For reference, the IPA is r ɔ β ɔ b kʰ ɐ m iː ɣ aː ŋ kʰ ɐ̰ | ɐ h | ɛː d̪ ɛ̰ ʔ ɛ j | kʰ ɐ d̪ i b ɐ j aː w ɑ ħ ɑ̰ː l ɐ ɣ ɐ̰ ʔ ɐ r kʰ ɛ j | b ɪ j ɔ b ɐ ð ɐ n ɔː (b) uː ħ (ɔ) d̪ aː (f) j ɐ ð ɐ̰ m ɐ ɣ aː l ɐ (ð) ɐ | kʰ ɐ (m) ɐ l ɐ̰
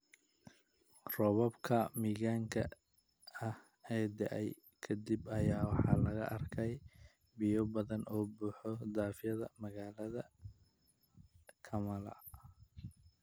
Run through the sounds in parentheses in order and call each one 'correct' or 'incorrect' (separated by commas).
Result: correct, correct, correct, correct, correct